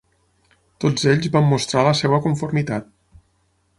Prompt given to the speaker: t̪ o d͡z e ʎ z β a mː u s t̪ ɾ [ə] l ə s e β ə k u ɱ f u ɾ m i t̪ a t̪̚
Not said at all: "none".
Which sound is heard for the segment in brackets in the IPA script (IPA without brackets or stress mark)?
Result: a